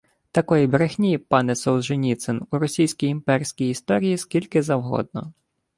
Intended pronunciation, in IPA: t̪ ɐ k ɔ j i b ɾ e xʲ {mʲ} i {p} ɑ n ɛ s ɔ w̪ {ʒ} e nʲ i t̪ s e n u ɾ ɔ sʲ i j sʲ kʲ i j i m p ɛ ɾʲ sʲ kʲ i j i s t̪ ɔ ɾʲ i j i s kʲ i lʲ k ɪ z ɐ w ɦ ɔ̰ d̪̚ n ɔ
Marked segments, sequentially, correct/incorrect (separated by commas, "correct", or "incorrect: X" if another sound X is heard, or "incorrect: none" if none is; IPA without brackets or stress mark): incorrect: nʲ, correct, correct